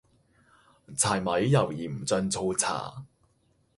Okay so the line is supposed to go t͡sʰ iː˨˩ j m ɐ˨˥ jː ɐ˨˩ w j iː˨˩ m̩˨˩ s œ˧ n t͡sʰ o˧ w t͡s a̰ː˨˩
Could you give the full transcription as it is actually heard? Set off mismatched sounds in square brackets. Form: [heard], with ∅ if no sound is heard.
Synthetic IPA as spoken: t͡sʰ [aː˨˩] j m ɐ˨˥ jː ɐ˨˩ w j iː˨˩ m̩˨˩ [t͡s] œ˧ n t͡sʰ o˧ w [t͡sʰ] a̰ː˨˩